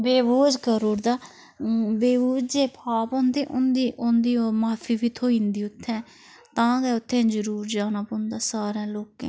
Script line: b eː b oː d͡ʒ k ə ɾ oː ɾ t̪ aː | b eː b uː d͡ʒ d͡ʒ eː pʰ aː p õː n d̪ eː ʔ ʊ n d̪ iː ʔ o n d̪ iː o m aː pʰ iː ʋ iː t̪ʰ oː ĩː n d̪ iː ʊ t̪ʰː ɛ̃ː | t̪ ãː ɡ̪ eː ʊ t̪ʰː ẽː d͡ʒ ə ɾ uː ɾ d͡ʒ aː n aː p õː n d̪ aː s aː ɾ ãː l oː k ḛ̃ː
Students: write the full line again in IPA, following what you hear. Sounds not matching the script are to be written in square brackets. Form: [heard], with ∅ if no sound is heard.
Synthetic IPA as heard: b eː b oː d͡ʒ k ə ɾ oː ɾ [d̪] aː | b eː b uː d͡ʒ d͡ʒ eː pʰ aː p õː n d̪ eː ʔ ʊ n d̪ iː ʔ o n d̪ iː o m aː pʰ iː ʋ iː t̪ʰ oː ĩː n d̪ iː ʊ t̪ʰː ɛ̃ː | t̪ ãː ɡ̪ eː ʊ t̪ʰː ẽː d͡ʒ ə ɾ uː ɾ d͡ʒ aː n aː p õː n d̪ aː s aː ɾ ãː l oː k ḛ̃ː